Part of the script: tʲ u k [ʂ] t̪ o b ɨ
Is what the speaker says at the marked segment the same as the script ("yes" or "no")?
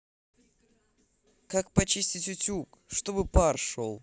yes